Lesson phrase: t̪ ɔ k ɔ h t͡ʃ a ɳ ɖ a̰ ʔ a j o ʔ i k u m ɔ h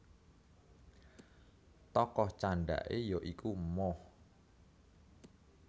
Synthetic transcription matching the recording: t̪ ɔ k ɔ h t͡ʃ a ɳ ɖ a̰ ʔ e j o ʔ i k u m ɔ h